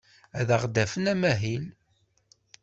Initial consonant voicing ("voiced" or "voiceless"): voiced